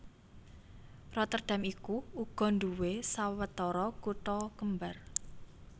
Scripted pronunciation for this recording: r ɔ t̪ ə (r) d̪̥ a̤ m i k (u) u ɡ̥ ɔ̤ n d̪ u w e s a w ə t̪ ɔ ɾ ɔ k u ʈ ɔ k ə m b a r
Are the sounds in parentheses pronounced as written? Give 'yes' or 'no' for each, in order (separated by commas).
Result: yes, yes